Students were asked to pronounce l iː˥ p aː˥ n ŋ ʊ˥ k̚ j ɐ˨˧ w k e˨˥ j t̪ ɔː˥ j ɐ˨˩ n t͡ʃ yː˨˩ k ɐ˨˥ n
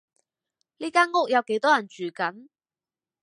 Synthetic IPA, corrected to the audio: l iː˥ k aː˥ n ŋ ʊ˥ k̚ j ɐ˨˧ w k e˨˥ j t̪ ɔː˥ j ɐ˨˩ n t͡ʃ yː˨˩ k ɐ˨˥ n